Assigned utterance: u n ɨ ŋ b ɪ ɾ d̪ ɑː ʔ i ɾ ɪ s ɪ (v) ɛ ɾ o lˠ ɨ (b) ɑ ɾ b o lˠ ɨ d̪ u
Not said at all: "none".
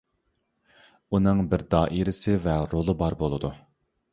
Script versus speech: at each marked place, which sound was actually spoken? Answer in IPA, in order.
v, b

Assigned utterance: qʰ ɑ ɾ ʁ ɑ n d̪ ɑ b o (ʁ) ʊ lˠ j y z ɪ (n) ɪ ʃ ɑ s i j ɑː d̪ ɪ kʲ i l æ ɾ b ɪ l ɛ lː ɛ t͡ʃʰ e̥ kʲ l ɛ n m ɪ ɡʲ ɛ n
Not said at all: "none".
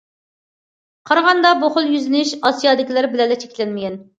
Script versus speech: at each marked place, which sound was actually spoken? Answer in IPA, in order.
χ, n

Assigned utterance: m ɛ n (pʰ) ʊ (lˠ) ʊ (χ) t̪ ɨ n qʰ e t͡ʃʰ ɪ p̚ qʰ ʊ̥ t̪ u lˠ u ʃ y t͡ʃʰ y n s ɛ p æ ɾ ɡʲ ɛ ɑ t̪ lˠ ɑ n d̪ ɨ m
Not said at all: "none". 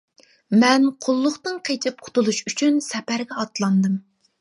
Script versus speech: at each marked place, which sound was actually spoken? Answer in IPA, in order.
qʰ, lˠː, χ

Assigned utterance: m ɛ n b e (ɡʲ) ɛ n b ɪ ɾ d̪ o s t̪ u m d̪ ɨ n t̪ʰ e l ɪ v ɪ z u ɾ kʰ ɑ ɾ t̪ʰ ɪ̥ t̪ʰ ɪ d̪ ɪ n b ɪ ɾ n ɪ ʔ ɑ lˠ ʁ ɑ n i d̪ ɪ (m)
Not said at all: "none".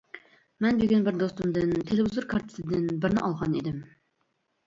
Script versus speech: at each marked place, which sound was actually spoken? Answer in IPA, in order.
ɡʲ, m

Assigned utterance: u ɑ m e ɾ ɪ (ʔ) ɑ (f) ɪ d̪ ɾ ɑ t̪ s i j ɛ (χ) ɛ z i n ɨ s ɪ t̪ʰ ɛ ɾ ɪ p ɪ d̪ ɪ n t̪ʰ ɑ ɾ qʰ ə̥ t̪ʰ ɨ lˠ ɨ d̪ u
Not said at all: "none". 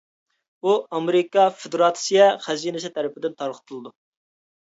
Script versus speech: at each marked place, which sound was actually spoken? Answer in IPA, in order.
k, f, χ

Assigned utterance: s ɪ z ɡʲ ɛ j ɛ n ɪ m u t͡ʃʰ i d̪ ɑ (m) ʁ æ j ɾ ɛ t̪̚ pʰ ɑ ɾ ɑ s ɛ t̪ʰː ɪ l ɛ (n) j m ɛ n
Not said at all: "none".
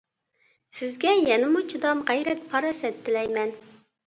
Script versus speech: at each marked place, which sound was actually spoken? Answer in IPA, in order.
m, none

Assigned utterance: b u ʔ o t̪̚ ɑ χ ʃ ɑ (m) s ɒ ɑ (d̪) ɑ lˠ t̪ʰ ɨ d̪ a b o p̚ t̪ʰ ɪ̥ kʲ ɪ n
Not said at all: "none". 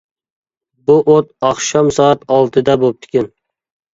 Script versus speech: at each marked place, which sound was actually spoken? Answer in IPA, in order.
m, t̪

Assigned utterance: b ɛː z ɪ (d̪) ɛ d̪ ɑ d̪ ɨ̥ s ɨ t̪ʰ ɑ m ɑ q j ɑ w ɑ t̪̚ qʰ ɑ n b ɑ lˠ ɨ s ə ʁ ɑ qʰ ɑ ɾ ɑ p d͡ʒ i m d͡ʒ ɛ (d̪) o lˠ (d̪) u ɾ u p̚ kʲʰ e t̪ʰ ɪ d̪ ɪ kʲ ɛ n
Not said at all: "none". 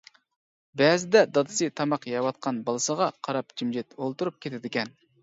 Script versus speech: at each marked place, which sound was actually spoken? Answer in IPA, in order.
d̪, t̪, t̪

